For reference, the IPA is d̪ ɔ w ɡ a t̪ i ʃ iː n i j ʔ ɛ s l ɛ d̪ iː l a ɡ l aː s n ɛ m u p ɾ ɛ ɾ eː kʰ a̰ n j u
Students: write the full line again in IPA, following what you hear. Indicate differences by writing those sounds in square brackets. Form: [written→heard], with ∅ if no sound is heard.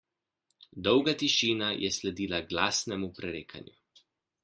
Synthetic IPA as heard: d̪ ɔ w ɡ a t̪ i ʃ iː n [i→a] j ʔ ɛ s l ɛ d̪ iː l a ɡ l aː s n ɛ m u p ɾ ɛ ɾ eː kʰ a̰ n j u